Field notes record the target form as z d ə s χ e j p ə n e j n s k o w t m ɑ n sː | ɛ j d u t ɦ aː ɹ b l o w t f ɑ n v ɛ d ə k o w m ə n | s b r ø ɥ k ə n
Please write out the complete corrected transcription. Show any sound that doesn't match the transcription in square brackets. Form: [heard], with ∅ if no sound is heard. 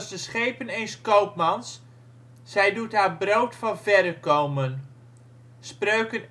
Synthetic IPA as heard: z d ə s χ e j p ə n e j n s k o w [p] m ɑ n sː | ɛ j d u t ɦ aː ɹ b [r] o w t f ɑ n v ɛ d ə k o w m ə n | s [p] r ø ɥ k ə n